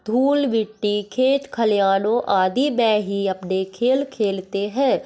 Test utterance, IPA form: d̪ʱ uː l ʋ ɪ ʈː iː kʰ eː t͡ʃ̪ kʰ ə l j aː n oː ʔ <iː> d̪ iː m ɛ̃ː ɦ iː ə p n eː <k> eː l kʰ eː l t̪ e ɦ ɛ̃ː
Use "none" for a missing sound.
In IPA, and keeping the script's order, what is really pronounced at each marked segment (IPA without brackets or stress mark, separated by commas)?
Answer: aː, kʰ